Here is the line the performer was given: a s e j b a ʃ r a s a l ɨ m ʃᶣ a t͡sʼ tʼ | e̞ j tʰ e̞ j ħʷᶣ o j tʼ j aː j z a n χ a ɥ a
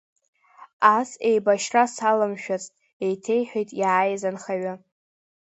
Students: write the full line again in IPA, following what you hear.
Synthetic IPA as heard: a s e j b a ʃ r a s a l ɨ m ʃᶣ a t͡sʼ tʼ | e̞ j tʰ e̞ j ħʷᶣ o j tʼ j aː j z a n χ a ɥ a